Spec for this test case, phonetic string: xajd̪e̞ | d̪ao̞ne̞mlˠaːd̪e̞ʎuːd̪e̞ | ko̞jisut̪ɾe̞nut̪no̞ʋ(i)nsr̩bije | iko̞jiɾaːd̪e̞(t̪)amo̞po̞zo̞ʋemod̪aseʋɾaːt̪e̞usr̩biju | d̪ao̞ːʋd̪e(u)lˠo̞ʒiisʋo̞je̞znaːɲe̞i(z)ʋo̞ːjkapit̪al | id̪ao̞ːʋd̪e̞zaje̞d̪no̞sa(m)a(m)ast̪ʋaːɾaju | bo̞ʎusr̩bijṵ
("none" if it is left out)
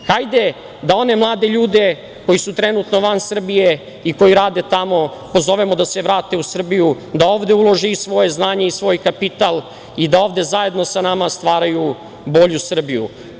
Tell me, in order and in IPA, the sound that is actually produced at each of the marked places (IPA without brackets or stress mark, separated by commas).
a, t̪, u, s, n, m